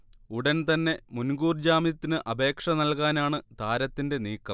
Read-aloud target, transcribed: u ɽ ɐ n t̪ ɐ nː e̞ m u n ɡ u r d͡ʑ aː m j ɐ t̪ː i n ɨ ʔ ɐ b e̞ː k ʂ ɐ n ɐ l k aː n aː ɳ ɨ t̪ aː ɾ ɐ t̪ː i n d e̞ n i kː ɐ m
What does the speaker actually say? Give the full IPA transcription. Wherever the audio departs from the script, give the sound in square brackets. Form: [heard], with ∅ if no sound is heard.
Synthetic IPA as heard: u ɽ ɐ n t̪ ɐ nː e̞ m u n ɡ [uː] r d͡ʑ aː m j ɐ t̪ː i n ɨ ʔ ɐ b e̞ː k ʂ ɐ n ɐ l k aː n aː ɳ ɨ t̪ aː ɾ ɐ t̪ː i n d e̞ n [iː] kː ɐ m

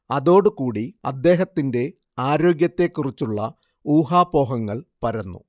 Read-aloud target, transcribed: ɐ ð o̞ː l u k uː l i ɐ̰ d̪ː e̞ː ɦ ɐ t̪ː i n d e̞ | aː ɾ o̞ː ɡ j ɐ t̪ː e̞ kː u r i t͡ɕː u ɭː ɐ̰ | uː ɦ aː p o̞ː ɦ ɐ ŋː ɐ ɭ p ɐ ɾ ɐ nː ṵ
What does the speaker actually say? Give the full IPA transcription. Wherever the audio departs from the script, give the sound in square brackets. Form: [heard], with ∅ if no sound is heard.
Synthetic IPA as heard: ɐ ð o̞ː [ɽ] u k uː [ɽ] i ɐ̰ d̪ː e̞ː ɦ ɐ t̪ː i n d e̞ | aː ɾ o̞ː ɡ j ɐ t̪ː e̞ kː u r i t͡ɕː u ɭː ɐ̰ | uː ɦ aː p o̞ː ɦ ɐ ŋː ɐ ɭ p ɐ ɾ ɐ nː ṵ

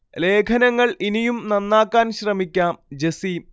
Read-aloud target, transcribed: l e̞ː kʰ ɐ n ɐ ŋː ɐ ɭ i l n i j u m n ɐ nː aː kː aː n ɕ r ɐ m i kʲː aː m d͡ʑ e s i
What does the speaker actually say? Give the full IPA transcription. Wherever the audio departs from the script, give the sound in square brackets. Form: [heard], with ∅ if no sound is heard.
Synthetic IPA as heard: l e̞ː kʰ ɐ n ɐ ŋː ɐ ɭ i [∅] n i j u m n ɐ nː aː kː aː n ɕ r ɐ m i kʲː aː m d͡ʑ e s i

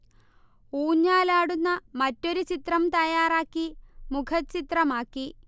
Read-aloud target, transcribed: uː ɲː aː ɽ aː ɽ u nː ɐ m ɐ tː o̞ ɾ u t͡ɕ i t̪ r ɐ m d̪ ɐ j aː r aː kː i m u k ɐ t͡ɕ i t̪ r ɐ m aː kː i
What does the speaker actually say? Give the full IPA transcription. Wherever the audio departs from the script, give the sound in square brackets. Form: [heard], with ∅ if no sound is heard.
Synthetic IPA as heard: uː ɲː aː [l] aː ɽ u nː ɐ m ɐ tː o̞ ɾ u t͡ɕ i t̪ r ɐ m [t̪] ɐ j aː r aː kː i m u [kʰ] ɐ t͡ɕ i t̪ r ɐ m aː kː i

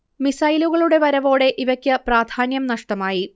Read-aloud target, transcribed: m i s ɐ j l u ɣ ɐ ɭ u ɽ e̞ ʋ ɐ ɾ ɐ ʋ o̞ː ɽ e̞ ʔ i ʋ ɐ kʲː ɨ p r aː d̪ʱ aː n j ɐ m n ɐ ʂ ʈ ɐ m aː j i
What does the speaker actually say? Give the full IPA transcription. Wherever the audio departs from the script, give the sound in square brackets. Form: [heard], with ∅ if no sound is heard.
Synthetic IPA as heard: m i s ɐ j l u ɣ ɐ ɭ u ɽ e̞ ʋ ɐ ɾ ɐ ʋ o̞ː ɽ e̞ ʔ i ʋ ɐ kʲː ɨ p r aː d̪ʱ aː n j ɐ m n ɐ ʂ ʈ ɐ m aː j i

